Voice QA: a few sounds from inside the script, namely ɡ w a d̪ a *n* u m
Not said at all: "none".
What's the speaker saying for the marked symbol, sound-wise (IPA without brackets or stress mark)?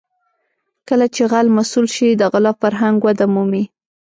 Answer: m